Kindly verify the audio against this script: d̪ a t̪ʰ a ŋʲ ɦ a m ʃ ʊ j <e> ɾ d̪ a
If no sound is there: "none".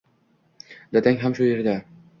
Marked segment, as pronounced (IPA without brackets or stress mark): e